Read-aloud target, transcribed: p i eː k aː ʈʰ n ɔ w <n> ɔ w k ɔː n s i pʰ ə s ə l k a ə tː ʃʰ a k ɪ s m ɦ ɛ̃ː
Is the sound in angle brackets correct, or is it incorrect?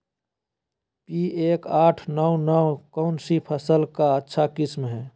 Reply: correct